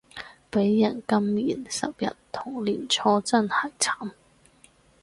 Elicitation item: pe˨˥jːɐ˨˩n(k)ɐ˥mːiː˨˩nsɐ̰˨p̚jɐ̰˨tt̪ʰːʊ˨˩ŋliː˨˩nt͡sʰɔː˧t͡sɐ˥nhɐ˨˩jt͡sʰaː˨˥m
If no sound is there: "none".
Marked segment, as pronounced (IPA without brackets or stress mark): k